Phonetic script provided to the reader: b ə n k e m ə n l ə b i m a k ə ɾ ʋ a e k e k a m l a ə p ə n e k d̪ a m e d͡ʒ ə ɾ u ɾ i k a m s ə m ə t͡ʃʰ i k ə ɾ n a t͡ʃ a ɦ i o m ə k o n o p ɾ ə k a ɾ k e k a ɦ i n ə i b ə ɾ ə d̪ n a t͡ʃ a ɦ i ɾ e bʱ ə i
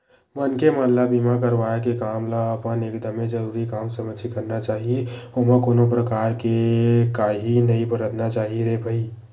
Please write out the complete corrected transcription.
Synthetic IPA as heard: m ə n k e m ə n l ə b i m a k ə ɾ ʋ a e k e k a m l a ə p ə n e k d̪ ə m e d͡ʒ ə ɾ u ɾ i k a m s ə m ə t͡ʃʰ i k ə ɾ n a t͡ʃ a ɦ i o m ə k o n o p ɾ ə k a ɾ k e k a ɦ i n ə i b ə ɾ ə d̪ n a t͡ʃ a ɦ i ɾ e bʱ ə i